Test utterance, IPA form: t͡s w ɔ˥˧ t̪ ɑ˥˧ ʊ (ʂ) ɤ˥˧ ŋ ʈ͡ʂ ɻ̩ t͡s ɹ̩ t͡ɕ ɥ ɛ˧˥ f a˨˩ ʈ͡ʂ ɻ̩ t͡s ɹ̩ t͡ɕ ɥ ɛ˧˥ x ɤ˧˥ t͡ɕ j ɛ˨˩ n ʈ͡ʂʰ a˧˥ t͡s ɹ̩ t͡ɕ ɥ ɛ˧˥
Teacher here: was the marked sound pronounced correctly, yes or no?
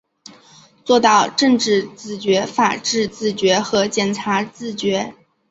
no